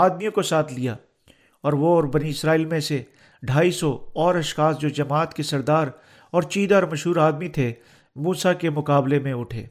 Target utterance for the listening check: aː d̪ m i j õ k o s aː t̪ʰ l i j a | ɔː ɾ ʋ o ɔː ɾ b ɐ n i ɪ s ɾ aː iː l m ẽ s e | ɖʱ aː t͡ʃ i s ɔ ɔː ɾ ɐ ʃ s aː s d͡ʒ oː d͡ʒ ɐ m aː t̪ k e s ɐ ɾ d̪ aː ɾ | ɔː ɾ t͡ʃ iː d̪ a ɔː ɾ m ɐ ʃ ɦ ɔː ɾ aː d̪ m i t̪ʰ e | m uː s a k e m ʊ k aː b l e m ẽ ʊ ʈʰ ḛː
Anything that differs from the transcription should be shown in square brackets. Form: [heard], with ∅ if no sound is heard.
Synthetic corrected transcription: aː d̪ m i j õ k o s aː t̪ʰ l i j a | ɔː ɾ ʋ o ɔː ɾ b ɐ n i ɪ s ɾ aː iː l m ẽ s e | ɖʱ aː [∅] i s ɔ ɔː ɾ ɐ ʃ [x] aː s d͡ʒ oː d͡ʒ ɐ m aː t̪ k e s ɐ ɾ d̪ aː ɾ | ɔː ɾ t͡ʃ iː d̪ a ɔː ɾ m ɐ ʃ ɦ [uː] ɾ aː d̪ m i t̪ʰ e | m uː s a k e m ʊ k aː b l e m ẽ ʊ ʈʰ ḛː